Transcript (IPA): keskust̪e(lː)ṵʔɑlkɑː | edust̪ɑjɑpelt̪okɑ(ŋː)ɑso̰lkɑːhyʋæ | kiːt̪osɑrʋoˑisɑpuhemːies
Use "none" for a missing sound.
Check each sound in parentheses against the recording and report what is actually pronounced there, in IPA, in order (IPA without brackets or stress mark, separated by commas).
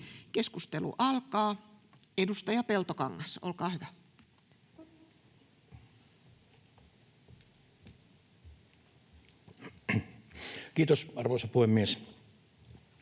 l, ŋː